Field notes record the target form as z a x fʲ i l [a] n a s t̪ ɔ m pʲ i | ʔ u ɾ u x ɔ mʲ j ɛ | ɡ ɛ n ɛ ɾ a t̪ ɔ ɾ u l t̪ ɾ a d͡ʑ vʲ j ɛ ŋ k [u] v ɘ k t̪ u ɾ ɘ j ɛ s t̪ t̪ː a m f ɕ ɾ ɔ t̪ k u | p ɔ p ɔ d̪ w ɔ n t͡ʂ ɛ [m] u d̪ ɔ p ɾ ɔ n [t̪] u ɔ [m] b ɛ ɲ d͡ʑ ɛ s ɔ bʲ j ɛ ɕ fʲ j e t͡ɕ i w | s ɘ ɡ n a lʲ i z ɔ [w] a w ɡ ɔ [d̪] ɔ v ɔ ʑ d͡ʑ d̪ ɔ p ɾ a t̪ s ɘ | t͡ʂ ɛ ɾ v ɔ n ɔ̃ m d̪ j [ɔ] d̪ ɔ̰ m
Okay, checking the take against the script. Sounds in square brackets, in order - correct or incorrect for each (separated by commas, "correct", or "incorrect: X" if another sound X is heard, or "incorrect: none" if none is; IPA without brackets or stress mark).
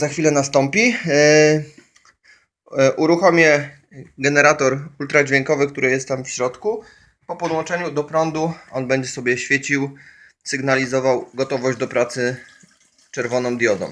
incorrect: ɛ, incorrect: ɔ, incorrect: ɲ, incorrect: d̪, incorrect: n, incorrect: v, incorrect: t̪, correct